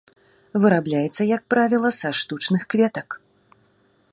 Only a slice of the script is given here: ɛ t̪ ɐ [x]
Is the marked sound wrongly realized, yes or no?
yes